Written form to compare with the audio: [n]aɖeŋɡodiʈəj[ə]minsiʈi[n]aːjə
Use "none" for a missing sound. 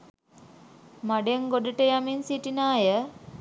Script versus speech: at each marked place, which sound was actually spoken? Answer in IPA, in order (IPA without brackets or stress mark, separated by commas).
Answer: m, a, n